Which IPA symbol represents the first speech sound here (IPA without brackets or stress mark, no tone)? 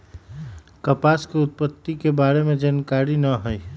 k